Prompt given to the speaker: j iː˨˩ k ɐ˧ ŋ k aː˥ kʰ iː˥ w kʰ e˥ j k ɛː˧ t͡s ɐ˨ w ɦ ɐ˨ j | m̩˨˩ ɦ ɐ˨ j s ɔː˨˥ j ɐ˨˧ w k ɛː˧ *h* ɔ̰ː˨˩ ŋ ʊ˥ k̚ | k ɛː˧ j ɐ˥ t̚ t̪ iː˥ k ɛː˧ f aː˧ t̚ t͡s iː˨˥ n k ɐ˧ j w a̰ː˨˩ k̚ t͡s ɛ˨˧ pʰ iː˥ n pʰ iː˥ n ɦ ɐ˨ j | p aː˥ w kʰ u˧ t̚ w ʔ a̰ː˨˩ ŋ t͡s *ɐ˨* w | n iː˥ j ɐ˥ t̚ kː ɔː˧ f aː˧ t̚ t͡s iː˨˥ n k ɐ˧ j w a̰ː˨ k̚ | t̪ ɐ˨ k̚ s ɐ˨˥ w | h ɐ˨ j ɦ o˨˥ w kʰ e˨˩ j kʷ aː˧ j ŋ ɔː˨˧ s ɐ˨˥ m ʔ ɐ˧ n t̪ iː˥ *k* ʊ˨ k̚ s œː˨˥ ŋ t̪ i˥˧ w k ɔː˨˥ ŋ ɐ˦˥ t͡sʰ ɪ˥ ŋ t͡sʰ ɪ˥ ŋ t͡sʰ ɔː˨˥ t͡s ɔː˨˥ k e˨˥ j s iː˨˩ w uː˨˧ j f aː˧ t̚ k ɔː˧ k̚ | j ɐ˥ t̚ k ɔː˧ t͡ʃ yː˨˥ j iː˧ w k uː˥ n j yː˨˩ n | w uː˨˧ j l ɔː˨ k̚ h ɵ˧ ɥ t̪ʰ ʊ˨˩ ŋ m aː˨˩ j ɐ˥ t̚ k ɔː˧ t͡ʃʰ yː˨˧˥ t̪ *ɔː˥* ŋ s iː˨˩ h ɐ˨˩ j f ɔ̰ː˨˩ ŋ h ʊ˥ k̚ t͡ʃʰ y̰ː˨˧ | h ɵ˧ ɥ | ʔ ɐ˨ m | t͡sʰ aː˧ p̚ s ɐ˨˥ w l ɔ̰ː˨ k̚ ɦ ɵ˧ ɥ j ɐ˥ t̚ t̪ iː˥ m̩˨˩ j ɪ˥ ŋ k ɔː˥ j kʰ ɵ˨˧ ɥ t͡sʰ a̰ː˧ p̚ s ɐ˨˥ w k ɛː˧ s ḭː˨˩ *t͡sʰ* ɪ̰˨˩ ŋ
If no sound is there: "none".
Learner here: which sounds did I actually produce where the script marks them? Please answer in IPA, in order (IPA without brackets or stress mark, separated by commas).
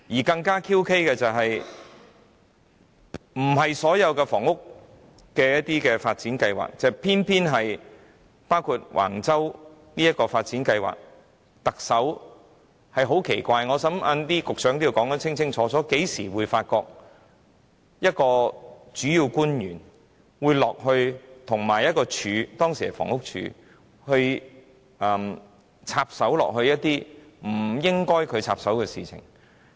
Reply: f, ɐ˥, k, ɔː˥, t͡sʰ